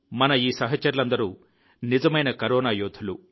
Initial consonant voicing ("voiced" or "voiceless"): voiced